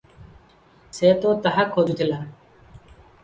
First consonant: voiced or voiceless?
voiceless